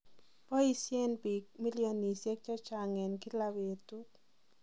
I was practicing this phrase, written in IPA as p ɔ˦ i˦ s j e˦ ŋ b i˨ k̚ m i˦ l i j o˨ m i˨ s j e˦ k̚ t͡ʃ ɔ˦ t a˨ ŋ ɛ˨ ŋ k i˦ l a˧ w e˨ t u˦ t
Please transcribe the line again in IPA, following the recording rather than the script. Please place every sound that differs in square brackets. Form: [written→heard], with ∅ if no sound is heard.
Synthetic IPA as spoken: p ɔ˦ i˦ s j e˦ [ŋ→n] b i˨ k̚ m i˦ l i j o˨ [m→n] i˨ s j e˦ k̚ t͡ʃ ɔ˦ [t→t͡ʃ] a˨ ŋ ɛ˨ [ŋ→n] k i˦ l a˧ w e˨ t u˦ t